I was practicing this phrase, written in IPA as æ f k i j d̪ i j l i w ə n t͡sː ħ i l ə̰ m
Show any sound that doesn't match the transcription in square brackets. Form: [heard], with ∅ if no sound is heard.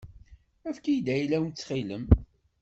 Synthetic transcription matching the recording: æ f k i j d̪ [æ] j l [æ] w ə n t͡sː [χ] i l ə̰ m